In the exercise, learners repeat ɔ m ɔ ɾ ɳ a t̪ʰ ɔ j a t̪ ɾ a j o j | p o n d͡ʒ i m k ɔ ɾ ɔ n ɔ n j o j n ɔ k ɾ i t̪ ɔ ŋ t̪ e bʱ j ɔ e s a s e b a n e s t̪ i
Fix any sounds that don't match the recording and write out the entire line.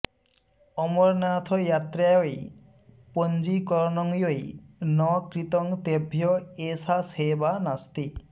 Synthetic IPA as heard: ɔ m ɔ ɾ n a t̪ʰ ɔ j a t̪ ɾ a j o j | p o n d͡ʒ i k ɔ ɾ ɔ n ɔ ŋ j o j n ɔ k ɾ i t̪ ɔ ŋ t̪ e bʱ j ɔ e s a s e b a n a s t̪ i